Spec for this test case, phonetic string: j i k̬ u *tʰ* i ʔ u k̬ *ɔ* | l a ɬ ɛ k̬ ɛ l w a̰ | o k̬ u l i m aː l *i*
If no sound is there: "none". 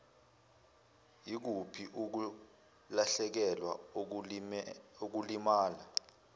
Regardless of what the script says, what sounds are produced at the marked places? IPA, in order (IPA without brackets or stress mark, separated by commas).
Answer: pʰ, u, a